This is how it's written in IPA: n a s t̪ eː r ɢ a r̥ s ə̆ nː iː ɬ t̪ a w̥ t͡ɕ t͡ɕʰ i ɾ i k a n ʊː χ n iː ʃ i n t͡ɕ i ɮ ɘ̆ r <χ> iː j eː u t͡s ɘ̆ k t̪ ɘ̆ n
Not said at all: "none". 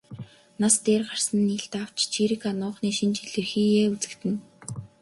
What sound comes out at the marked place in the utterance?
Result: x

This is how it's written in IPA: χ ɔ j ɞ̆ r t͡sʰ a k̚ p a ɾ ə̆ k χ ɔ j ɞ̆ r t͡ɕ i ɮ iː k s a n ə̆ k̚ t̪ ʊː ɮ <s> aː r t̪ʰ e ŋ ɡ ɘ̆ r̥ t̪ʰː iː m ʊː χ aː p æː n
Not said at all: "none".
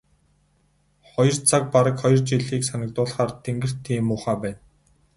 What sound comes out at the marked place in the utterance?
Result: χ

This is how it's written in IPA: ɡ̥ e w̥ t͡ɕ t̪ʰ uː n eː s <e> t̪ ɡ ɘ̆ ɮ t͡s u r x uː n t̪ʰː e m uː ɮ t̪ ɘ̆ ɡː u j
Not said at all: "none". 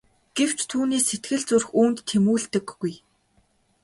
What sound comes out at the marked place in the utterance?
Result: e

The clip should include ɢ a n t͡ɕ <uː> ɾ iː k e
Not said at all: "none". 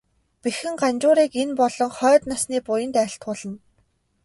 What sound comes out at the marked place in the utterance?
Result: ʊː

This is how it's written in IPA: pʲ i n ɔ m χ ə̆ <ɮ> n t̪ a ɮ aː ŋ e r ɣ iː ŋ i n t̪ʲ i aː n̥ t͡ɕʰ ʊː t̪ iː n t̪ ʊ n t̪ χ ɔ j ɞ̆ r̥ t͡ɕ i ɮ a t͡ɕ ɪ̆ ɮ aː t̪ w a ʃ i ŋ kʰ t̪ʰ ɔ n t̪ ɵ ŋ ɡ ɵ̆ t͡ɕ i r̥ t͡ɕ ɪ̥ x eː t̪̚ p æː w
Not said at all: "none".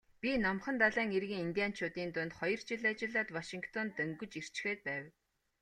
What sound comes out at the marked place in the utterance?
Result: none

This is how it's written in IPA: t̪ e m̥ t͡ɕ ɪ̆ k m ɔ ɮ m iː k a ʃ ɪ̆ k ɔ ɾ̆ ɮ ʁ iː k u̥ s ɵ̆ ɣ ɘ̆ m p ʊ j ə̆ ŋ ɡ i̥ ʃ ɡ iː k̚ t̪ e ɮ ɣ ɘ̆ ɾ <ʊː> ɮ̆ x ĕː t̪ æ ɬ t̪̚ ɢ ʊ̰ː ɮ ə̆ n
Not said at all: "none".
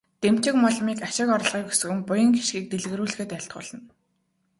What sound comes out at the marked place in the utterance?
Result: uː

